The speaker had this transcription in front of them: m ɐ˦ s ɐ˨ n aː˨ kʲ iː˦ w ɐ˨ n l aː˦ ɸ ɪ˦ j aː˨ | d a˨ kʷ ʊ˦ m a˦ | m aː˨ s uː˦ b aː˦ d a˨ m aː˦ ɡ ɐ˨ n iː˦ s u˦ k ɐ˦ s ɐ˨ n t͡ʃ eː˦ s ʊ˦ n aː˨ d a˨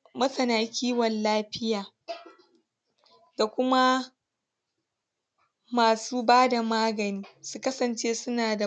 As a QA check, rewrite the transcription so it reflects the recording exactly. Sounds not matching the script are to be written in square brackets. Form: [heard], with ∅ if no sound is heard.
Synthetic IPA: m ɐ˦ s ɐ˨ n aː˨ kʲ iː˦ w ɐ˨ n l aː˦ ɸ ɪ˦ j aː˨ | d a˨ kʷ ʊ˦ m a˦ | m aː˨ s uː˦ b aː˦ d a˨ m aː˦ ɡ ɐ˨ n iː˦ s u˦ k ɐ˦ s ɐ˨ n t͡ʃ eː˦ s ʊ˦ n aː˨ d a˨